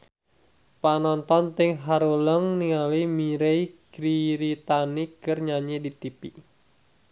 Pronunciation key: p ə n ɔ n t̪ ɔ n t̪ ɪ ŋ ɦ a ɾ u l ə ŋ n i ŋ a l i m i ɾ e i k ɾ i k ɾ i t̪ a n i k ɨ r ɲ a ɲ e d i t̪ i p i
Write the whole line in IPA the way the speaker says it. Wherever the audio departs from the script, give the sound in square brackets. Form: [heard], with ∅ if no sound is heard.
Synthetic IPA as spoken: p [a] n ɔ n t̪ ɔ n t̪ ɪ ŋ ɦ a ɾ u l ə ŋ n i ŋ a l i m i ɾ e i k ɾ i [∅] ɾ i t̪ a n i k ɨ r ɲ a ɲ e d i t̪ i p i